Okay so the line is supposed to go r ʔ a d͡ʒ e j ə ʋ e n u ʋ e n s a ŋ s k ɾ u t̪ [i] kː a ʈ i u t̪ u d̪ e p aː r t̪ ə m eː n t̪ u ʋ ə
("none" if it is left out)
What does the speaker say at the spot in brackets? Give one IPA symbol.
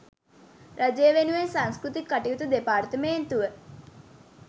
i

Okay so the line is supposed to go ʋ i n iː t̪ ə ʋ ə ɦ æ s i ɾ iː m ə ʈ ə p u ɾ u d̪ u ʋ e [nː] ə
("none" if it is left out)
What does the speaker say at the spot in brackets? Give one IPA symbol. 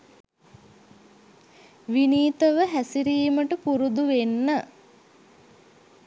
nː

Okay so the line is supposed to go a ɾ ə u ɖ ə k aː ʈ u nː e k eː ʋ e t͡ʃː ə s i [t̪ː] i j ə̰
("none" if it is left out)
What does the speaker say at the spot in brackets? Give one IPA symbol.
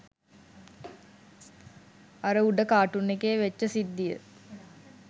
d̪ː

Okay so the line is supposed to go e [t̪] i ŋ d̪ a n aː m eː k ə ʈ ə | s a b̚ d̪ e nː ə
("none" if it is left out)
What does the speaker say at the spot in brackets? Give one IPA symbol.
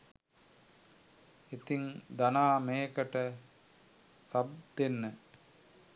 t̪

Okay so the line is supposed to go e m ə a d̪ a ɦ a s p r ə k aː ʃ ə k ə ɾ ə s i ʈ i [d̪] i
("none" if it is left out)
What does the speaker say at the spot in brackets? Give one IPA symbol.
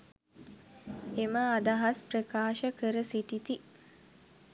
t̪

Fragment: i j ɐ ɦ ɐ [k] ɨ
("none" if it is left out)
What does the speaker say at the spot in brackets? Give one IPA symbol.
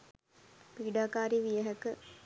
k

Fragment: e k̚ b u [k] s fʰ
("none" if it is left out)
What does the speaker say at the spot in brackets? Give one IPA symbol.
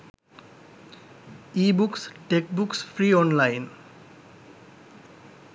k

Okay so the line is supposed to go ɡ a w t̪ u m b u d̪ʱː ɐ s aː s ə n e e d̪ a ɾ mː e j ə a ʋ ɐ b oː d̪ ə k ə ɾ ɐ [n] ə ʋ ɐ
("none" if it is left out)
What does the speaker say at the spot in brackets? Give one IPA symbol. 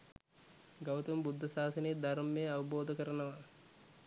n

